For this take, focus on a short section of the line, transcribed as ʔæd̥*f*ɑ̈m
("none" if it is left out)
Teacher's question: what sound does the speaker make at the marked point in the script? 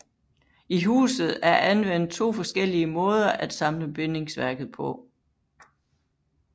s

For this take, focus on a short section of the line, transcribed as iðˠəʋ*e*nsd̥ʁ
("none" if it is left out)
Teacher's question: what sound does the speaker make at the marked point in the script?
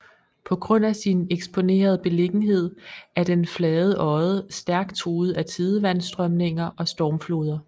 æ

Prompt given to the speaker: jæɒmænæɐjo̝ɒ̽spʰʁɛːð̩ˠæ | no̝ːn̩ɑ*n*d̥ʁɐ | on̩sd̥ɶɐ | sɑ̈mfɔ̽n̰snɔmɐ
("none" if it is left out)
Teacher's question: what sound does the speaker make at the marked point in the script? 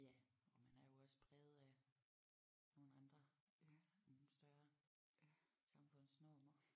n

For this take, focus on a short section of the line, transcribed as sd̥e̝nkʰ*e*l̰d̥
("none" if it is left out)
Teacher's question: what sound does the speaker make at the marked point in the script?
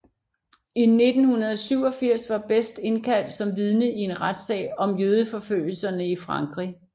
æ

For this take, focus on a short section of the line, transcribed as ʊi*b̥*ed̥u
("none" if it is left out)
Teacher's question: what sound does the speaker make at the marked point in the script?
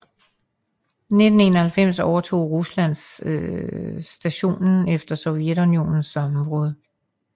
none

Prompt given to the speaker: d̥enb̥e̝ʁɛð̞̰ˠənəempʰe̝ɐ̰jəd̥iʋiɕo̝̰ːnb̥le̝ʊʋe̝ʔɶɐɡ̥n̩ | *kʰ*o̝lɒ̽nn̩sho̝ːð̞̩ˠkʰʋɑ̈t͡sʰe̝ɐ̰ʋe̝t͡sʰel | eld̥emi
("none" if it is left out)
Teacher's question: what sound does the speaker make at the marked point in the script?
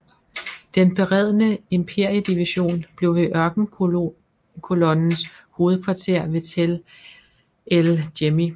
kʰ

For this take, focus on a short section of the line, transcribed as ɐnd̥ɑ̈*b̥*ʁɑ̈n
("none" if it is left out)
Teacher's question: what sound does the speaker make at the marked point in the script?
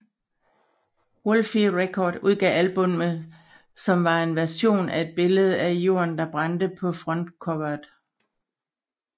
b̥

